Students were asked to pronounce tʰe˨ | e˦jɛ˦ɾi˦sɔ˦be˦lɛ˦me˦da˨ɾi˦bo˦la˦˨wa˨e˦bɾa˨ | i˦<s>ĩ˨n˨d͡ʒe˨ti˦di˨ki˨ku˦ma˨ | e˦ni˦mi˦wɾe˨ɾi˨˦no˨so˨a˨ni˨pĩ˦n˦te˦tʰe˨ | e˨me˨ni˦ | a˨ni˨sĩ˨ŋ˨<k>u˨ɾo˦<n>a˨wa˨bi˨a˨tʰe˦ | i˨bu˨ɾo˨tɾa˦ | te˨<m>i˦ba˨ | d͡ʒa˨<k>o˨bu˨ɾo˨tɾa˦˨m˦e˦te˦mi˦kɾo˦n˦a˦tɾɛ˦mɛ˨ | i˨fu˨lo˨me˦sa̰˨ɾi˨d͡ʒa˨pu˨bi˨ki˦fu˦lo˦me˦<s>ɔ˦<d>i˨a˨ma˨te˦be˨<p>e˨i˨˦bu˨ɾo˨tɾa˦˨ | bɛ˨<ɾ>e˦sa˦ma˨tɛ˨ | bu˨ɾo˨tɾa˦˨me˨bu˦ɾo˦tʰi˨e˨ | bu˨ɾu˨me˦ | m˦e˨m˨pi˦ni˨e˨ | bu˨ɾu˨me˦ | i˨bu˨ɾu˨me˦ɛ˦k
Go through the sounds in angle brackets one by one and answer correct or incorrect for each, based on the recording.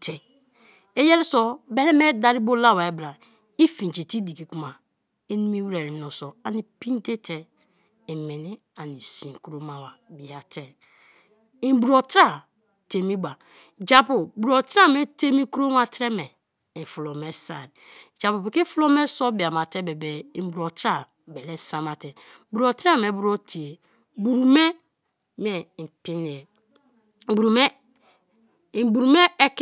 incorrect: f, correct, incorrect: m, correct, incorrect: p, correct, incorrect: b, incorrect: b, incorrect: l

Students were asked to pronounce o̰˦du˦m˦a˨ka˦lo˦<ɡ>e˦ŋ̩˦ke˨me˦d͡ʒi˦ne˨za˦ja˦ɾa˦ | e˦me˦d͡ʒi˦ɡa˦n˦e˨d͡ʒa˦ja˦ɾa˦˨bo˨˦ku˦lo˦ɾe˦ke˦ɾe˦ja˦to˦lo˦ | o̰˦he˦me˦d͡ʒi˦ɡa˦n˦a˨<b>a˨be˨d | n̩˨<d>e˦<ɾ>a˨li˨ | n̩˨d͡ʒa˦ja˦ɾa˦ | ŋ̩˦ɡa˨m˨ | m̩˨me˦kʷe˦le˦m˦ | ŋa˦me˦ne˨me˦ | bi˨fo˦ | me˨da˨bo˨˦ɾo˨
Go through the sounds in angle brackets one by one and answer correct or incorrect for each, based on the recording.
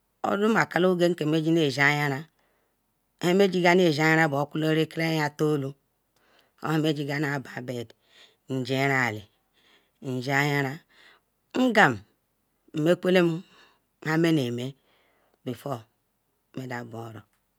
correct, correct, incorrect: d͡ʒ, correct

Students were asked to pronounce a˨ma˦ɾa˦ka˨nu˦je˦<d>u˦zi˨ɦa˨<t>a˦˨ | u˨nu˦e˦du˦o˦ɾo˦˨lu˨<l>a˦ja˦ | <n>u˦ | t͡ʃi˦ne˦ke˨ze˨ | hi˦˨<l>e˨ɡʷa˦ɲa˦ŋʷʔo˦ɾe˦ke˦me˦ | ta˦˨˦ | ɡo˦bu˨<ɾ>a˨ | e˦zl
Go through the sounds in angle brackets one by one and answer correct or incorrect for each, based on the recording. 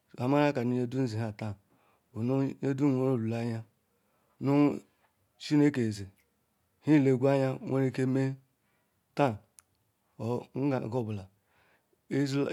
correct, correct, correct, correct, correct, incorrect: l

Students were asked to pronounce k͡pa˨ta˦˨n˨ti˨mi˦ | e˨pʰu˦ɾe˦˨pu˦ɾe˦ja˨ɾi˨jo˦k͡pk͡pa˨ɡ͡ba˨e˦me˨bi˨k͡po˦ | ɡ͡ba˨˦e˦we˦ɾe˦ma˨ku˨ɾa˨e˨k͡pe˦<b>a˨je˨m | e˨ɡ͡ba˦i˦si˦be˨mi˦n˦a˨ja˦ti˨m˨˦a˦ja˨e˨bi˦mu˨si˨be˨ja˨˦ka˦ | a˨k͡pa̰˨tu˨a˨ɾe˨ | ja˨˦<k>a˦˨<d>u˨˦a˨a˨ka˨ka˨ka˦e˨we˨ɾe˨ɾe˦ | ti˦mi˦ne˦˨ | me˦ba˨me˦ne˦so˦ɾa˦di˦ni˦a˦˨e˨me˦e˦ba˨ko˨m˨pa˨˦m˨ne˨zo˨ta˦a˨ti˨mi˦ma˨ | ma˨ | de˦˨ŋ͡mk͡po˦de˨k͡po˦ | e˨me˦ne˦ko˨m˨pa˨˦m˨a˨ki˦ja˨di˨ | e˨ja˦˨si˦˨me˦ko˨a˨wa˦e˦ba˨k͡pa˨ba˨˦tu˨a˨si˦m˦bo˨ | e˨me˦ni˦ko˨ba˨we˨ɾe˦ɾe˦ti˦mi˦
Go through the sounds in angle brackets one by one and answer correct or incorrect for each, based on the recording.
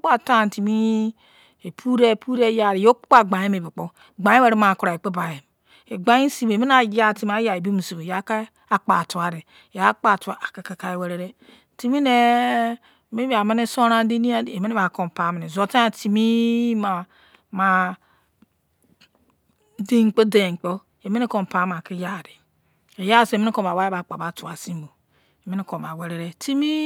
correct, incorrect: k͡p, incorrect: t

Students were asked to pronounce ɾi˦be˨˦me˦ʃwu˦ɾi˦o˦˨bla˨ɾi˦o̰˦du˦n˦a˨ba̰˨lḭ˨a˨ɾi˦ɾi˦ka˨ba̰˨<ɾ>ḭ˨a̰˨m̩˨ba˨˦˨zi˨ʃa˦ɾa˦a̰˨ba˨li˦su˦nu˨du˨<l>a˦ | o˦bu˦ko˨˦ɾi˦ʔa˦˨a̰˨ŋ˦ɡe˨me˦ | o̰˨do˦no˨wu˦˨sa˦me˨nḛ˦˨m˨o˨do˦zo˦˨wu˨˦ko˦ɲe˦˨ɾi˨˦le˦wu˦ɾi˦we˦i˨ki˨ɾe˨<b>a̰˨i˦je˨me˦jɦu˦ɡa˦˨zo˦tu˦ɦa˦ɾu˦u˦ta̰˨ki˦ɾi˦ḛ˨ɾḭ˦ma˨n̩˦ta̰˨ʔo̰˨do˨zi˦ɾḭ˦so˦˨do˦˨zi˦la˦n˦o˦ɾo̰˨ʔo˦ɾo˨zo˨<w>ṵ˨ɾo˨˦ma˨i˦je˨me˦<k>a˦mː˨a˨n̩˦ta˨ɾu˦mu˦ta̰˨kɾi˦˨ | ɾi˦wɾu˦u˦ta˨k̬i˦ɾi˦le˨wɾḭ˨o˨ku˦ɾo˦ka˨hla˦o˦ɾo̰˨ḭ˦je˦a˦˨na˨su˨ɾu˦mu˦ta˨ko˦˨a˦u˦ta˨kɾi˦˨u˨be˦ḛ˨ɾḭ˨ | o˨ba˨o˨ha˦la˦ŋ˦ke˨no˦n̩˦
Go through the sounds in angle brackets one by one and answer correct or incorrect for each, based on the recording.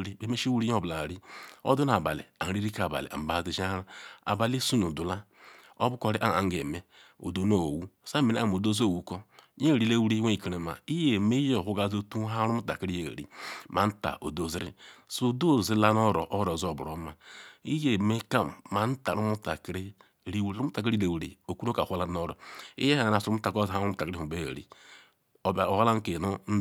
incorrect: l, correct, incorrect: m, incorrect: b, correct

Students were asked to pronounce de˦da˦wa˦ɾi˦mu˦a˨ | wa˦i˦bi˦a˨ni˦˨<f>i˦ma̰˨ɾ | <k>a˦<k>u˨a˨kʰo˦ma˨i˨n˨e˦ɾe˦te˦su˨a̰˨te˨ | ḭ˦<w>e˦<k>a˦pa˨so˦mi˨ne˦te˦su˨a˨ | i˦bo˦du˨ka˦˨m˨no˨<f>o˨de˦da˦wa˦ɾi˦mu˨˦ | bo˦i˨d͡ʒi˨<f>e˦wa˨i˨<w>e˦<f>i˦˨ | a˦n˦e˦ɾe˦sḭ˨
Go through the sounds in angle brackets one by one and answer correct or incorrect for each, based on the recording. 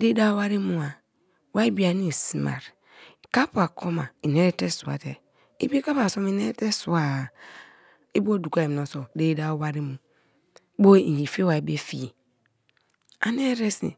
incorrect: s, correct, incorrect: p, incorrect: b, correct, incorrect: s, correct, incorrect: b, correct

